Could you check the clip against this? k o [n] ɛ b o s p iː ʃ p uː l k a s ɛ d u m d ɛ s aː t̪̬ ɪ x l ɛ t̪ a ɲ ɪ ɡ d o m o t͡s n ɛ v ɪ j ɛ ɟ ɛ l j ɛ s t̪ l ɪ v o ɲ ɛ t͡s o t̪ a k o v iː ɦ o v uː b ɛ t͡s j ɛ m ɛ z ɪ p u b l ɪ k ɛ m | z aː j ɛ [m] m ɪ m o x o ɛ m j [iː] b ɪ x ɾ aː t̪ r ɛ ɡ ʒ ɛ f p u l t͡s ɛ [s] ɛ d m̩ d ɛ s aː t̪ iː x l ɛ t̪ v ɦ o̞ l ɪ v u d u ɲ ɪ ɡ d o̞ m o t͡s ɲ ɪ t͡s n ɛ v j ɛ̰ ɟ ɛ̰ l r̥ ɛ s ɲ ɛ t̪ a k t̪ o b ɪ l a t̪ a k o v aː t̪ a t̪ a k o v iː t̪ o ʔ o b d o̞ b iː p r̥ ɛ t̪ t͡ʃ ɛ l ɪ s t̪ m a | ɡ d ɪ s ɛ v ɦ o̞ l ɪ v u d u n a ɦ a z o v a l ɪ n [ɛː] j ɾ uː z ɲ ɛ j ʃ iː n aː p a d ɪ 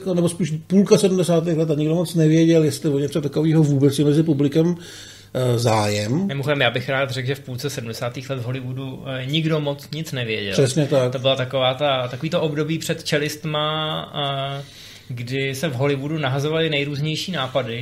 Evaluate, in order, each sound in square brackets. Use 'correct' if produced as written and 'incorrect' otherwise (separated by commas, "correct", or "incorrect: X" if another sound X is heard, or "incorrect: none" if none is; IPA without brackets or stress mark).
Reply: correct, correct, incorrect: aː, correct, incorrect: ɛ